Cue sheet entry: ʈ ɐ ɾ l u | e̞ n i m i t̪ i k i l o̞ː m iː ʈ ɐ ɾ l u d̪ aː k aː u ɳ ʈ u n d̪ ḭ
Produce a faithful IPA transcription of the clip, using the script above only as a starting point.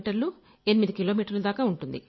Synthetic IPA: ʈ ɐ ɾ l u | e̞ n i m i d̪ i k i l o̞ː m iː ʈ ɐ ɾ l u d̪ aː k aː u ɳ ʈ u n d̪ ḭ